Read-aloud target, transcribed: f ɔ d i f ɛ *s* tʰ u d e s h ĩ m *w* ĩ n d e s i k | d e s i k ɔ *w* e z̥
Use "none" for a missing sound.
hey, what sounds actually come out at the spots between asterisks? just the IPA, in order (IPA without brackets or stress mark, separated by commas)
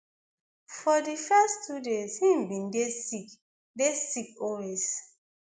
s, b, w